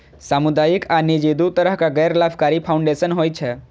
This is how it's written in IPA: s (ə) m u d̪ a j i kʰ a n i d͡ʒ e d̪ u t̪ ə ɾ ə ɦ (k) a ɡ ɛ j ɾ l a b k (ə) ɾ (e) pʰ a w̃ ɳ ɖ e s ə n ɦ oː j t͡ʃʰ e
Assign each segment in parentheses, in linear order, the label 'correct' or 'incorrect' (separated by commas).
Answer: incorrect, correct, incorrect, incorrect